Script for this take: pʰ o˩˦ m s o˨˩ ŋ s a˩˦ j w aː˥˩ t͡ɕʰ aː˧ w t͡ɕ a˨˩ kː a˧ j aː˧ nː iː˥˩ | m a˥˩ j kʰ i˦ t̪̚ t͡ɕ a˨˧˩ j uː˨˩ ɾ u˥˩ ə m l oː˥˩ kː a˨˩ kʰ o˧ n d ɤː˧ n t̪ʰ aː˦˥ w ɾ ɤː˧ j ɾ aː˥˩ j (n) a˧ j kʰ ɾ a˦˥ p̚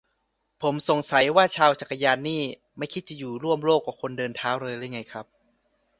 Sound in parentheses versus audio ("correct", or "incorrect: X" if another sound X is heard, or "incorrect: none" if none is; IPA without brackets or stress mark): incorrect: ŋ